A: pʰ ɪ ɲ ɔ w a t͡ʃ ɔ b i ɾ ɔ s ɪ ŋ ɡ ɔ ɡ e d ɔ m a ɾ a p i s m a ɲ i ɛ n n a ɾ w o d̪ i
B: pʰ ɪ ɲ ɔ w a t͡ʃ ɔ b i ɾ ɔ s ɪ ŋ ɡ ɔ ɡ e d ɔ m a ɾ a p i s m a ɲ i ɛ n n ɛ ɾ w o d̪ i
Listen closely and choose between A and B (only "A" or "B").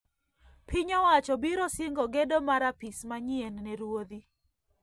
B